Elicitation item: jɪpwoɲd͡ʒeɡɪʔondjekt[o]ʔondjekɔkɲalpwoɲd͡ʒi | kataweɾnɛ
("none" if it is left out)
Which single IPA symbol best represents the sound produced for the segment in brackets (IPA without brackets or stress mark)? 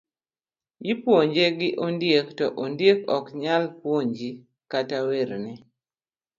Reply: ɔ